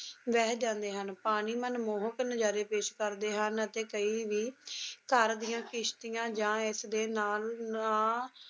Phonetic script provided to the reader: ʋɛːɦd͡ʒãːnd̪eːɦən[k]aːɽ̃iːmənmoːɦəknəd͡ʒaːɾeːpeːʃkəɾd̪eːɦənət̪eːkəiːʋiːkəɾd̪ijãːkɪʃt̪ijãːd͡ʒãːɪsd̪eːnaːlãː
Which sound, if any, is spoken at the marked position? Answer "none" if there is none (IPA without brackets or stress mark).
p